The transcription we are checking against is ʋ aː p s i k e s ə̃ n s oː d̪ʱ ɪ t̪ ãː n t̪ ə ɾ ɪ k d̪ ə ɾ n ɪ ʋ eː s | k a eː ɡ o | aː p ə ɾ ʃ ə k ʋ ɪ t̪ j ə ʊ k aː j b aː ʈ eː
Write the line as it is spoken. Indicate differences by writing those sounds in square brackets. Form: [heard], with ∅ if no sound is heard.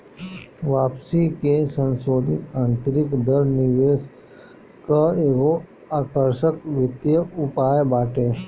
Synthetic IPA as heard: ʋ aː p s i k e s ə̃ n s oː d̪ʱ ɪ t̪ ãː n t̪ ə ɾ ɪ k d̪ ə ɾ n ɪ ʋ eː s | k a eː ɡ o | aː [k] ə ɾ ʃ ə k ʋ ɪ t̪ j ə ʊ [p] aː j b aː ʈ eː